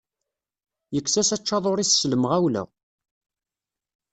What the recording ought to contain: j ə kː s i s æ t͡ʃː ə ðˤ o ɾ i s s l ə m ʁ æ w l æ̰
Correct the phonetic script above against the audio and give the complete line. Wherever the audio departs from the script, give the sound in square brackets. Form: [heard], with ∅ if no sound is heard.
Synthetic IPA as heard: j ə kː s [æ] s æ t͡ʃː [ɑ] ðˤ o ɾ i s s l ə m ʁ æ w l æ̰